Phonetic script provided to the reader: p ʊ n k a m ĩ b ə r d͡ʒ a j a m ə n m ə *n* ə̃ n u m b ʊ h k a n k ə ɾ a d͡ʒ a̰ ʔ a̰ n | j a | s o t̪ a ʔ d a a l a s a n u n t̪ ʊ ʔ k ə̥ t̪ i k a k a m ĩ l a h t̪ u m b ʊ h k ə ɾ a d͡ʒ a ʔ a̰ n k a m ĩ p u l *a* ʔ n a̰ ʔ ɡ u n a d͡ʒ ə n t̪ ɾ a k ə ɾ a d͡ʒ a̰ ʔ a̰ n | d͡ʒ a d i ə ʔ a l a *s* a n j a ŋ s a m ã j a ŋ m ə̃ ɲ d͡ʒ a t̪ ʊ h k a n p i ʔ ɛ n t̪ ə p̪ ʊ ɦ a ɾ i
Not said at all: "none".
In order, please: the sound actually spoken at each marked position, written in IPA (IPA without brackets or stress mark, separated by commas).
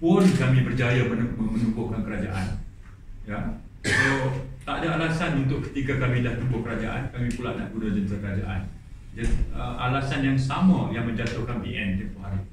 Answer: m, a, s